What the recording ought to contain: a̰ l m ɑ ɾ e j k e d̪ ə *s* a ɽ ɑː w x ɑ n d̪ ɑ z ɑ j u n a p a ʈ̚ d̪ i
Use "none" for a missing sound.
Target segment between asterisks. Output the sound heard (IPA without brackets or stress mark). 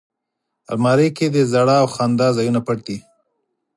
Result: z